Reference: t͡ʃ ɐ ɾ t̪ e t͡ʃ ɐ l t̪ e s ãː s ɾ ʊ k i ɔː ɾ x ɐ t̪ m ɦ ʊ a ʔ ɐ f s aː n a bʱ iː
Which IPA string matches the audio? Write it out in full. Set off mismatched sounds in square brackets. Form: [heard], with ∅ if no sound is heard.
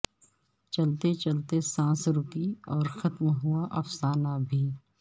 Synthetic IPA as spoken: t͡ʃ ɐ [l] t̪ e t͡ʃ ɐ l t̪ e s ãː s ɾ ʊ k i ɔː ɾ x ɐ t̪ m ɦ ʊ a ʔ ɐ f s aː n a bʱ iː